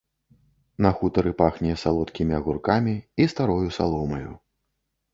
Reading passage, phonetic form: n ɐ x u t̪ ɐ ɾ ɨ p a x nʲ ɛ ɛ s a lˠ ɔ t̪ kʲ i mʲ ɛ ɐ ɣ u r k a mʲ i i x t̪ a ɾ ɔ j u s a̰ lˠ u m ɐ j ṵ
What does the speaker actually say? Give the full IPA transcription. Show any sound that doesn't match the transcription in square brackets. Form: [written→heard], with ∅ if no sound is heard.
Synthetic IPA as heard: n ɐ x u t̪ ɐ ɾ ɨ p a x nʲ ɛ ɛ s a lˠ ɔ t̪ kʲ i mʲ [ɛ→i] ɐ ɣ u r k a mʲ i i [x→s] t̪ a ɾ ɔ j u s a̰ lˠ [u→ɔ] m ɐ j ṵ